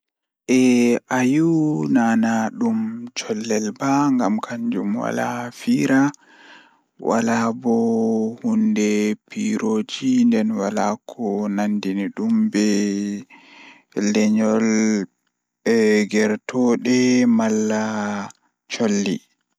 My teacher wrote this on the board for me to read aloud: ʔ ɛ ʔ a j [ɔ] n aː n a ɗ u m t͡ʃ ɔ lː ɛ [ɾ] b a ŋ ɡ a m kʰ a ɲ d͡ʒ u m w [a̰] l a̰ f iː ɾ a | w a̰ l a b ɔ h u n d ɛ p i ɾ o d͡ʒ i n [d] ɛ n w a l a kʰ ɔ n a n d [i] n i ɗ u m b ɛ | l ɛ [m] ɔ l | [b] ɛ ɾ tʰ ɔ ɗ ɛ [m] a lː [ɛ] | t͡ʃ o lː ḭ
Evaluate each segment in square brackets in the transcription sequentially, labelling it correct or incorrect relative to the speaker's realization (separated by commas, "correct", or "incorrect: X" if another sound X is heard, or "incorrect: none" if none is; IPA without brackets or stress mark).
incorrect: u, incorrect: l, correct, correct, correct, incorrect: ɲ, incorrect: ɡ, correct, incorrect: a